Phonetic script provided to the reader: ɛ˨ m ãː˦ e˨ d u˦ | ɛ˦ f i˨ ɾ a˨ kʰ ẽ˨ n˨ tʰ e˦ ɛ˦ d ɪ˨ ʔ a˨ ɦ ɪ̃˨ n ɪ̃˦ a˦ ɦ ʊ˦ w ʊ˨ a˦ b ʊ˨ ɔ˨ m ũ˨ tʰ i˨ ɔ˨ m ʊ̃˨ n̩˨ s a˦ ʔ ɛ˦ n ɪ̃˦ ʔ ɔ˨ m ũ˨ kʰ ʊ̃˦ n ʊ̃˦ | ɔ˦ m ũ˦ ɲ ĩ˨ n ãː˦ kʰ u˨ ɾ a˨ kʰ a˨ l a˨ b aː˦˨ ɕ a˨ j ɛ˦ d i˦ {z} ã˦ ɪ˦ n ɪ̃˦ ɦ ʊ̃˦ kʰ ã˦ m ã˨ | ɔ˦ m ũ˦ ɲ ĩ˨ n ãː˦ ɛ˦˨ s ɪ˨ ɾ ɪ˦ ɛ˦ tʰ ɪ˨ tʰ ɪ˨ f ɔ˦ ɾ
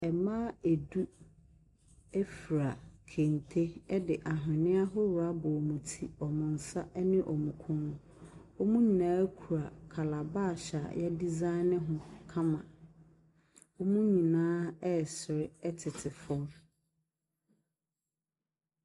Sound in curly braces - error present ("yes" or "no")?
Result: no